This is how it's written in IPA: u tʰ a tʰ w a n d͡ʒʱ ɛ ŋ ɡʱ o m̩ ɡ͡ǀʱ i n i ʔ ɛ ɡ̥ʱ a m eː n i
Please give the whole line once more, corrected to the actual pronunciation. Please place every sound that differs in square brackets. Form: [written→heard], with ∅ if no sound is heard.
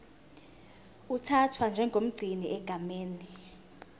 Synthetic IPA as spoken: u tʰ a tʰ w a n d͡ʒʱ ɛ ŋ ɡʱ o m̩ ɡ͡ǀʱ i n i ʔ ɛ ɡ̥ʱ a m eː n i